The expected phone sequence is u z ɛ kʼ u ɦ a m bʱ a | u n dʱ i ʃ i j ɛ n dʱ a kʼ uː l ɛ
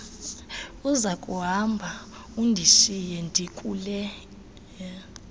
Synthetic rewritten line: u z a kʼ u ɦ a m bʱ a | u n dʱ i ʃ i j ɛ n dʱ i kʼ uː l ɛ